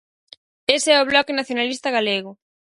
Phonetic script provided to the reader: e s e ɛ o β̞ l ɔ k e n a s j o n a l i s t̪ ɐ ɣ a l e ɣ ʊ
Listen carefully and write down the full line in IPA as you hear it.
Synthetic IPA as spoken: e s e ɛ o β̞ l ɔ k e n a θ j o n a l i s t̪ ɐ ɣ a l e ɣ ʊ